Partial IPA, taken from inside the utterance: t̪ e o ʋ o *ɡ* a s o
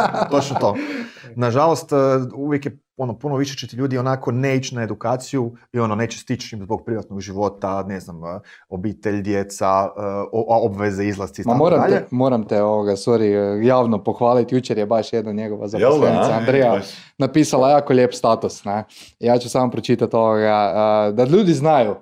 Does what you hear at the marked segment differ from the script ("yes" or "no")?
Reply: no